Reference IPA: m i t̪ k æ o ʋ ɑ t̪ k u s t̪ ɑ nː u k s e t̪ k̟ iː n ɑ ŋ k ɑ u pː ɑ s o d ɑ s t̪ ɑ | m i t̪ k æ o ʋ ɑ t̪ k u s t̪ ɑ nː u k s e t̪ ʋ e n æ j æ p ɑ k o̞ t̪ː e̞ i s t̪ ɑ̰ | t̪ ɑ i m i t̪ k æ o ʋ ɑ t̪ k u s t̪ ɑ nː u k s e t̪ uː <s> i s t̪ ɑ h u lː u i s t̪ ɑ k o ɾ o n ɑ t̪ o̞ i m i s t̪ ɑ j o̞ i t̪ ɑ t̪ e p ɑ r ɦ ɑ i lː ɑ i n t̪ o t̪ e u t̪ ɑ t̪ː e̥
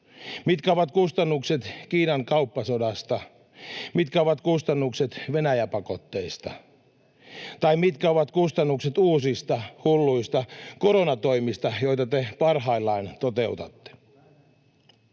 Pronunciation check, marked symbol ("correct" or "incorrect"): correct